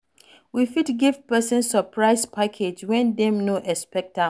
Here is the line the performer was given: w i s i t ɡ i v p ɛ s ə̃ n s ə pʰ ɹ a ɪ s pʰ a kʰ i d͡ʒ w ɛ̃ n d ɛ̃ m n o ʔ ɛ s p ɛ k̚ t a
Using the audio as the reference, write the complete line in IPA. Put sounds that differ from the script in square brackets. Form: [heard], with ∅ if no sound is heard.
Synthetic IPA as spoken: w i [f] i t ɡ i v p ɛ s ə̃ n s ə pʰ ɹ a ɪ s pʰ a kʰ [e] d͡ʒ w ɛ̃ n d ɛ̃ m n o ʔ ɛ s p ɛ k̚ t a